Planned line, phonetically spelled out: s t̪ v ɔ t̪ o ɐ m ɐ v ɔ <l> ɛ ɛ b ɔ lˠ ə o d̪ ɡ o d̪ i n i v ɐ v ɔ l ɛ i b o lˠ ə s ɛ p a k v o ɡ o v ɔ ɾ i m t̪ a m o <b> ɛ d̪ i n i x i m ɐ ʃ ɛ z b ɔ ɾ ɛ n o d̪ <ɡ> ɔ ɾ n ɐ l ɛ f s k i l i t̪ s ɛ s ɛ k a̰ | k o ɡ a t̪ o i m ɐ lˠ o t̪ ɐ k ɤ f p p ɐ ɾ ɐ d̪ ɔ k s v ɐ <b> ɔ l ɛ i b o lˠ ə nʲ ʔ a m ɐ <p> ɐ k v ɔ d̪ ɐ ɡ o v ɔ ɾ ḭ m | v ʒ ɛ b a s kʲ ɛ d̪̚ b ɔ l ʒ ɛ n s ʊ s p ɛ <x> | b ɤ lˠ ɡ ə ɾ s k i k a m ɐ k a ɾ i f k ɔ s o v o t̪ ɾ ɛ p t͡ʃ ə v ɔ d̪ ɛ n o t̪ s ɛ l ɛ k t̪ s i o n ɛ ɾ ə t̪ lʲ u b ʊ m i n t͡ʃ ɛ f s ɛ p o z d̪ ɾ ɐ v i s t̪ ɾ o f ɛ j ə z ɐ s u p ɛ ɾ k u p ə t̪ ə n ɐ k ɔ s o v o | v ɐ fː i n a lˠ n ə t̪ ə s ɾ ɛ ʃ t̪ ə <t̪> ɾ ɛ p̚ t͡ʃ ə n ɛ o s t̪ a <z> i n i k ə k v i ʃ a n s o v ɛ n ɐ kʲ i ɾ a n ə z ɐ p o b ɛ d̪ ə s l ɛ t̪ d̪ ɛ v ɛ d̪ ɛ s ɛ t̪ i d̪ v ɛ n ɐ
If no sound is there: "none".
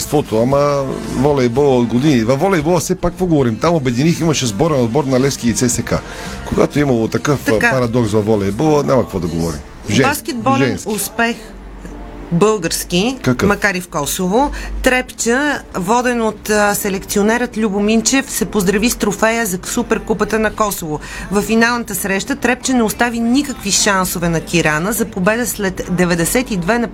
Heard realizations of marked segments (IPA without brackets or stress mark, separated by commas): l, b, b, v, k, x, t̪, v